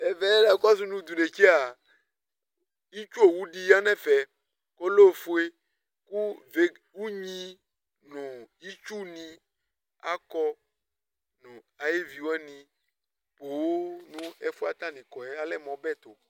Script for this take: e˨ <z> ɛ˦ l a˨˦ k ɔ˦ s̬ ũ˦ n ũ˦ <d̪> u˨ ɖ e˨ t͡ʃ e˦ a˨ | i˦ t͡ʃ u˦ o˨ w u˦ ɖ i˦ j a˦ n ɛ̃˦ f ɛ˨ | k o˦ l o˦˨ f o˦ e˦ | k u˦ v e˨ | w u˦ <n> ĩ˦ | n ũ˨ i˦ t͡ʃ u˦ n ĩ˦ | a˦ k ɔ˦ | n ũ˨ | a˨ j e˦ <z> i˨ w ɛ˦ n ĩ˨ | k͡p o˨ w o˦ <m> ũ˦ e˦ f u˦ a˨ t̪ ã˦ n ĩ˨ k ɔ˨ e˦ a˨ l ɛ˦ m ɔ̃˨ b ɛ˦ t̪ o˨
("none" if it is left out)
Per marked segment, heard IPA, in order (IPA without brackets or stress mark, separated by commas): v, d̪, ɲ, v, n